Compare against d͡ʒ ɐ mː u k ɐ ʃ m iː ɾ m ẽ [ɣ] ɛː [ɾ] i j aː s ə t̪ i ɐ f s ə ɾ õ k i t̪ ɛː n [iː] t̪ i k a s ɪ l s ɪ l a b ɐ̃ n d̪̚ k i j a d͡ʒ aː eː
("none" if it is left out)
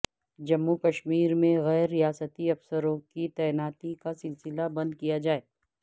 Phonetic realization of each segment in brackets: ɣ, ɾː, aː

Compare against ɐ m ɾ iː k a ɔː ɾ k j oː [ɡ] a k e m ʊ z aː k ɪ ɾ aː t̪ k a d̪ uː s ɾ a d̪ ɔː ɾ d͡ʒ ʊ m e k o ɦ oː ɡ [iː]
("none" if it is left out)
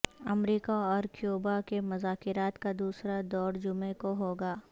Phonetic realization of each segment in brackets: b, aː

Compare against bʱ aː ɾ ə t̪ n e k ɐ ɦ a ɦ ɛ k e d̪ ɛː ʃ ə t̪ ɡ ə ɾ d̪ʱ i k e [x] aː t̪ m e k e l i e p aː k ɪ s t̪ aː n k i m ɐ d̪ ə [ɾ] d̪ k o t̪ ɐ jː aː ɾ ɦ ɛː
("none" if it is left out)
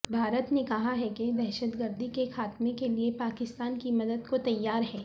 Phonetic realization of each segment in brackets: x, none

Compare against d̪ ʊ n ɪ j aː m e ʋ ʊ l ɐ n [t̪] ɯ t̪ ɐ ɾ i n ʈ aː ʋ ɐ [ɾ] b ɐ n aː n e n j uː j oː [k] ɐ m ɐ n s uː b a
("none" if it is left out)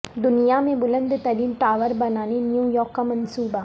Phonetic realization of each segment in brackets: d̪, ɾ, k

